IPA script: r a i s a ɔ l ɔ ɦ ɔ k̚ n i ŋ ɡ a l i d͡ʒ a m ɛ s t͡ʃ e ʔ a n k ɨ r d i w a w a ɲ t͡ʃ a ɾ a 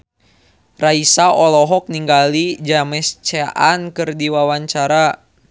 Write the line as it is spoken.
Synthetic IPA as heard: r a i s a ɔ l ɔ ɦ ɔ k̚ n i ŋ ɡ a l i d͡ʒ a m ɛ s t͡ʃ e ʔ a n k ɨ r d i w a w a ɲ t͡ʃ a ɾ a